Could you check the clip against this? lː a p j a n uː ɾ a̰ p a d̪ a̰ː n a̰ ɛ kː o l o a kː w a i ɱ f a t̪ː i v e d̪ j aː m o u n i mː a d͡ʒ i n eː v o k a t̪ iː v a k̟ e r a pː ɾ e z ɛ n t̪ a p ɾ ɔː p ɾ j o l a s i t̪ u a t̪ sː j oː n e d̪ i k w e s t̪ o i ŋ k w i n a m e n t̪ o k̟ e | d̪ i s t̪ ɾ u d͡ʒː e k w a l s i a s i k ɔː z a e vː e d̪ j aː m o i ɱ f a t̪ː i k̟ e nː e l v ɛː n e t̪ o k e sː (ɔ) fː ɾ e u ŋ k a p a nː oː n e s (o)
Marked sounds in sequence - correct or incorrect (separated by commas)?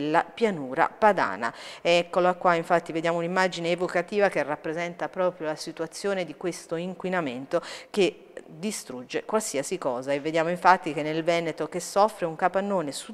correct, incorrect